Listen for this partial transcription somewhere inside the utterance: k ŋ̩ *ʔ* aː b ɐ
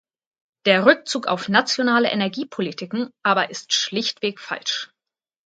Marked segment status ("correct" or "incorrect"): correct